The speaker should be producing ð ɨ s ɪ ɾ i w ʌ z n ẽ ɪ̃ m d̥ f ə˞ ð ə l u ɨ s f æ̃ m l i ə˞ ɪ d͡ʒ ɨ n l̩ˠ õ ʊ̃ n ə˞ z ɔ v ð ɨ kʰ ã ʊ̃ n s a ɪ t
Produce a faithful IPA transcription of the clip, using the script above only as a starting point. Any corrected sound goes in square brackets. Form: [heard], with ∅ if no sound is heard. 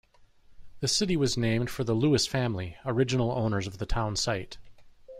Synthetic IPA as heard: ð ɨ s ɪ ɾ i w ʌ z n ẽ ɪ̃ m d̥ f ə˞ ð ə l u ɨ s f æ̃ m l i ə˞ ɪ d͡ʒ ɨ n l̩ˠ õ ʊ̃ n ə˞ z [ʌ] v ð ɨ [tʰ] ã ʊ̃ n s a ɪ t